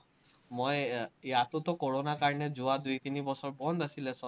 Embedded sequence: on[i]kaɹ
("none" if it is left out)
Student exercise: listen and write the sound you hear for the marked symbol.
a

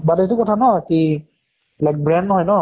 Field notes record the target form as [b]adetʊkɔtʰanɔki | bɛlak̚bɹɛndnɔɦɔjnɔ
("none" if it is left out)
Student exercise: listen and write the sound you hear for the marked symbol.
b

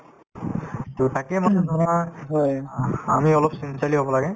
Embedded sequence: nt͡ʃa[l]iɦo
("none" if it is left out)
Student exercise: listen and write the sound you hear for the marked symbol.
l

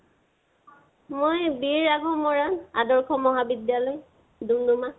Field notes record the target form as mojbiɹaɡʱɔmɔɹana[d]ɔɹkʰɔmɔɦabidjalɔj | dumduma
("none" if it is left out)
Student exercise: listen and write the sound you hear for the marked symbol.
d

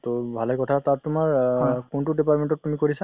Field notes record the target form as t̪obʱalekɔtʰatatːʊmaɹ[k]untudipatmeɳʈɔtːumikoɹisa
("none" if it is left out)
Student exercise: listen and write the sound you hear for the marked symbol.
k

